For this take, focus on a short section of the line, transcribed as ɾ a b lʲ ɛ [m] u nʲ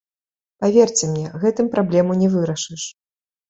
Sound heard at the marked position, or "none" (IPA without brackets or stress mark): m